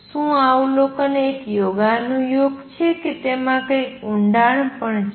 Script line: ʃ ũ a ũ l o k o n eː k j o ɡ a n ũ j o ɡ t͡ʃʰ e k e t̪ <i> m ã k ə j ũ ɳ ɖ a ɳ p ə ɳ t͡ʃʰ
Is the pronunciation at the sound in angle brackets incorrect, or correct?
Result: incorrect